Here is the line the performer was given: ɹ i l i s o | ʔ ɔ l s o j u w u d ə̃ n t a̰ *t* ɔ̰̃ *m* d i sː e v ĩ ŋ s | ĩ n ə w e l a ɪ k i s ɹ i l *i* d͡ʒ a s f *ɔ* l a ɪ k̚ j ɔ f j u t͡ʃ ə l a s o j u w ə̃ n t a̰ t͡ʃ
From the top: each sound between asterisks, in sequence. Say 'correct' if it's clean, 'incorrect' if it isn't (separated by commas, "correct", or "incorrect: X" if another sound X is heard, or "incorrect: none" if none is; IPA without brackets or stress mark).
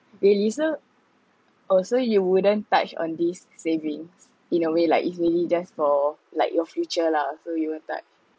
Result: incorrect: t͡ʃ, incorrect: n, correct, correct